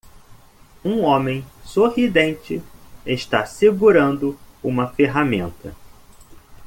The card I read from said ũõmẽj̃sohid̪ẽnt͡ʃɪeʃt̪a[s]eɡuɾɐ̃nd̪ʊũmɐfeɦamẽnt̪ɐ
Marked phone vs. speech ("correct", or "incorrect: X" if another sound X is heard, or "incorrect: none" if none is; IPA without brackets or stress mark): correct